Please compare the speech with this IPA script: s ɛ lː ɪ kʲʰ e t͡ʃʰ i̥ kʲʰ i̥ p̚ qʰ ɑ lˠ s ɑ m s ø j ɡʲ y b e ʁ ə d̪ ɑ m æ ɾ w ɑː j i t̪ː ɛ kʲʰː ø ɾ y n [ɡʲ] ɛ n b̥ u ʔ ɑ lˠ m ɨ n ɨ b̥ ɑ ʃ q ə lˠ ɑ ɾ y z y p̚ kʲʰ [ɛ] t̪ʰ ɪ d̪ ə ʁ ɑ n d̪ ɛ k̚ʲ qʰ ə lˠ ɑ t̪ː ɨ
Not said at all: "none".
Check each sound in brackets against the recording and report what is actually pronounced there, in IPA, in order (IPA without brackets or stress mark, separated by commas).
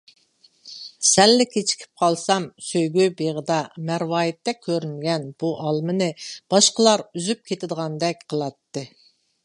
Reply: ɡʲ, e